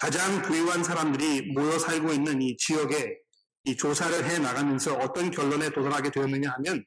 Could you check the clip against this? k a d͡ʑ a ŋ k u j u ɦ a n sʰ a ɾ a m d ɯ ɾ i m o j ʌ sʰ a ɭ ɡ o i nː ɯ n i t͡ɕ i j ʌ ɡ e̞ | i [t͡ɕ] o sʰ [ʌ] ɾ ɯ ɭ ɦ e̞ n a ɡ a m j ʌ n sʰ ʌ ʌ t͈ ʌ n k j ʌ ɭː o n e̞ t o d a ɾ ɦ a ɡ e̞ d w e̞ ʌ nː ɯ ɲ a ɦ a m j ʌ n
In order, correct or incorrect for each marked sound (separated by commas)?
correct, incorrect